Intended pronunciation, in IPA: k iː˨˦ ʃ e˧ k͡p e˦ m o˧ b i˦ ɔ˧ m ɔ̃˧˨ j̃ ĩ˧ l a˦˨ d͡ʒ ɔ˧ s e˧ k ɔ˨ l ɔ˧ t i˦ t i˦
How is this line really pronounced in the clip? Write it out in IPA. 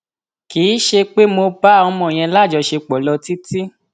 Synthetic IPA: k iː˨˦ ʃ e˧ k͡p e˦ m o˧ b a˦ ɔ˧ m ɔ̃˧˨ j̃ ɛ̃˧ l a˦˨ d͡ʒ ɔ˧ ʃ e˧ k͡p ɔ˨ l ɔ˧ t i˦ t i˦